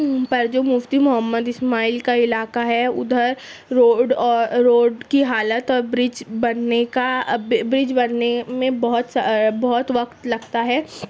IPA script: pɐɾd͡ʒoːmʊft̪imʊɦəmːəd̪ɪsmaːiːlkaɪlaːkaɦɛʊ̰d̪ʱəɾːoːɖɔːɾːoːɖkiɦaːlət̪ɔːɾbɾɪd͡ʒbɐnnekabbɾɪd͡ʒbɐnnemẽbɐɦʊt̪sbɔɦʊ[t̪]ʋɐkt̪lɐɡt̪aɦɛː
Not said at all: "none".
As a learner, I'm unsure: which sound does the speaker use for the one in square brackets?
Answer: t̪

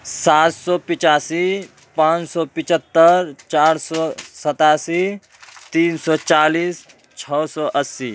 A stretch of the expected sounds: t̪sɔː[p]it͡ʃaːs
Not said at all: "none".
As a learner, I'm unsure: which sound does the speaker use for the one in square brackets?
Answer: p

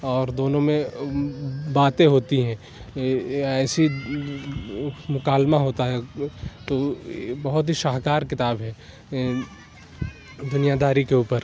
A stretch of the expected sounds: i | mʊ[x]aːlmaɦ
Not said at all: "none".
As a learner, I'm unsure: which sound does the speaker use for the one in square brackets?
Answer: k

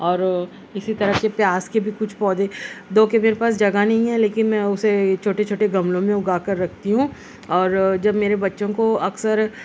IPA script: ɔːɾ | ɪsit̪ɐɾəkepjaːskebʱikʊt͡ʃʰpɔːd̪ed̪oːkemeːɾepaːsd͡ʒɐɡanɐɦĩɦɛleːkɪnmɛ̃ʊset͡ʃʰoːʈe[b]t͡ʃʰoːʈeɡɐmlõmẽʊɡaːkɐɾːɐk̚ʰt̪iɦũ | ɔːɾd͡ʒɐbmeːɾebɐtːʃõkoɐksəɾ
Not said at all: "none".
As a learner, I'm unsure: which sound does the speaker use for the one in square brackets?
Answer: none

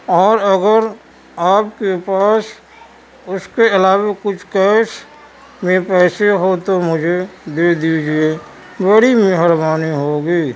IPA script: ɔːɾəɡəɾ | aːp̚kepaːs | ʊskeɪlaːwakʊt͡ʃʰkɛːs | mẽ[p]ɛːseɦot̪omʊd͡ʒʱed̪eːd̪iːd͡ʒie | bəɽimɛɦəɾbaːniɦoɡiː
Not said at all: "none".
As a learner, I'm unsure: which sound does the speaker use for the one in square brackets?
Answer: p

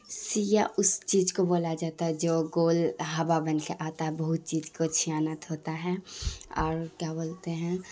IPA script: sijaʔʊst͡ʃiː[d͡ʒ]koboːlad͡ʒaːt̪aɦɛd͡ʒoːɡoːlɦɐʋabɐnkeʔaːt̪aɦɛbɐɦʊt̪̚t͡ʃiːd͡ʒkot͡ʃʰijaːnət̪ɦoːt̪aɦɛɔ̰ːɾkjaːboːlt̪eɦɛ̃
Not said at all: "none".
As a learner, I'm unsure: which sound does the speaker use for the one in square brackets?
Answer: d͡ʒ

